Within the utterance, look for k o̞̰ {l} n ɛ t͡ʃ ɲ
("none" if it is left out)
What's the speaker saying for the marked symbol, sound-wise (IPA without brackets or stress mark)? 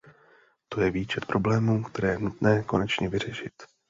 none